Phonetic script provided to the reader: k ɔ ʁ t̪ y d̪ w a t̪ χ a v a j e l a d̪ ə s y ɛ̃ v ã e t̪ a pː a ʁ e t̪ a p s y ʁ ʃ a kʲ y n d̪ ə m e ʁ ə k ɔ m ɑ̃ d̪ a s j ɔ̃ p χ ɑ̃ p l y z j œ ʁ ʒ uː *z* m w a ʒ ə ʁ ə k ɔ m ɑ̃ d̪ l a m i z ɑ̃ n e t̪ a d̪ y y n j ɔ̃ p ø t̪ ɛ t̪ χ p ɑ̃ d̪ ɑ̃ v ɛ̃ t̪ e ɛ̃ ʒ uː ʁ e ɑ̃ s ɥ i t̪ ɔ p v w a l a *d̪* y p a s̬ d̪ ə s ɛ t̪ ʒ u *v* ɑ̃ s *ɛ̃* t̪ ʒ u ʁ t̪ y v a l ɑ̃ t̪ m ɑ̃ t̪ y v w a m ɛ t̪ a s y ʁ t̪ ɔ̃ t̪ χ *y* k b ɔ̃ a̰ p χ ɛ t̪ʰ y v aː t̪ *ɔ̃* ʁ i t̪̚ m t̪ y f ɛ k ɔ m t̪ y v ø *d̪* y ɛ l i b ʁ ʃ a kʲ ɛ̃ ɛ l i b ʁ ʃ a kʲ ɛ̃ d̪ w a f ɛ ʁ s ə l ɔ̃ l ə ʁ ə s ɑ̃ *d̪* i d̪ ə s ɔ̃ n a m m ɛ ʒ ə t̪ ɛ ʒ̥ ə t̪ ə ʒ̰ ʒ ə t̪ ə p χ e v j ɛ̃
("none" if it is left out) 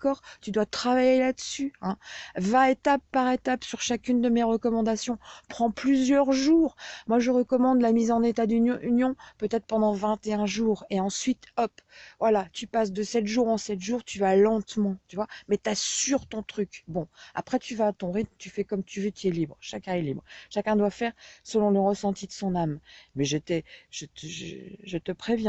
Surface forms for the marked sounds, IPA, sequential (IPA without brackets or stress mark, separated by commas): ʁ, t̪, ʁ, ɛ, y, ɔ̃, t̪, t̪